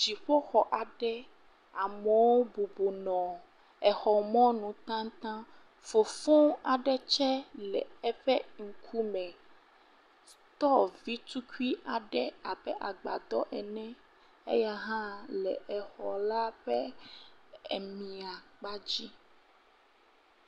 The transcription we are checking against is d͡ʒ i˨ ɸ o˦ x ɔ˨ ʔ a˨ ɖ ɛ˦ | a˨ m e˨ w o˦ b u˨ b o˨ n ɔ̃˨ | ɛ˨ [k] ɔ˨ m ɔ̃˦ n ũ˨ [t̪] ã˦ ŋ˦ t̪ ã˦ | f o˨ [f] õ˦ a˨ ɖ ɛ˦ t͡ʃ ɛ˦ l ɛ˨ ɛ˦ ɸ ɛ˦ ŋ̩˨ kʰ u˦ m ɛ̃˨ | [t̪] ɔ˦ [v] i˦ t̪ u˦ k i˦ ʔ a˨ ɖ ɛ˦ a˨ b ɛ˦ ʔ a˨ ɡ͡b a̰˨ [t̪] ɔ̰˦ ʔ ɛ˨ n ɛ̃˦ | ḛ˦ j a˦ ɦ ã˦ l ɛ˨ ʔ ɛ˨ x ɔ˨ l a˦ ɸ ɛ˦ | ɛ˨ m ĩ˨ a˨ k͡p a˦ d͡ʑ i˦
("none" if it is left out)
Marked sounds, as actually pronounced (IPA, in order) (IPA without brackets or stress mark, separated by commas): x, t̪, f, t̪, v, d̪